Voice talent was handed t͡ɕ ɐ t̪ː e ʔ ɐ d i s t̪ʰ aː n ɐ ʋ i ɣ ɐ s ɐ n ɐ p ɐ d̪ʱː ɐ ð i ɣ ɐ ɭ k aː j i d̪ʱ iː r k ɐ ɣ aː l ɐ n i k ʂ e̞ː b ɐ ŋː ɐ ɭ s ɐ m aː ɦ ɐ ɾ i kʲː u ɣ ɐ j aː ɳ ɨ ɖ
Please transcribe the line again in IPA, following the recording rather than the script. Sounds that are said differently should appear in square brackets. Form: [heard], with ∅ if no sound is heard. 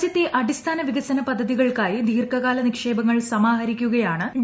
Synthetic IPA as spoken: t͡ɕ ɐ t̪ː e ʔ ɐ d i s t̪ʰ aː n ɐ ʋ i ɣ ɐ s ɐ n ɐ p ɐ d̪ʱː ɐ ð i ɣ ɐ ɭ k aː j i d̪ʱ iː r k ɐ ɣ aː l ɐ n i k ʂ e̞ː b ɐ ŋː ɐ ɭ s ɐ m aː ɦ ɐ ɾ i kʲː u ɣ ɐ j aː ɳ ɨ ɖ